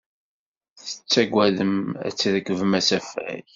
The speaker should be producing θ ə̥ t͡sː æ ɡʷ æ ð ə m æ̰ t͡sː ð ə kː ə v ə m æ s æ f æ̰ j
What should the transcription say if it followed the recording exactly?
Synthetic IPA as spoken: θ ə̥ t͡sː æ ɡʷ æ ð ə m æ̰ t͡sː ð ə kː ə v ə m æ s æ f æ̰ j